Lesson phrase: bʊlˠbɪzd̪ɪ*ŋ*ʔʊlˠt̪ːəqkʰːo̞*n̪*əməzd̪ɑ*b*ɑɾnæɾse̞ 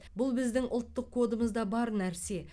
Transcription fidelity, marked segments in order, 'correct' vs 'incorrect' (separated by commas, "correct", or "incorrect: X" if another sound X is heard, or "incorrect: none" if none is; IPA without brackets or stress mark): correct, incorrect: d̪, correct